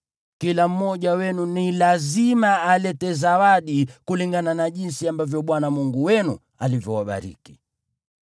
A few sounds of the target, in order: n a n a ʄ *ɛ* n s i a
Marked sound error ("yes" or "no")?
yes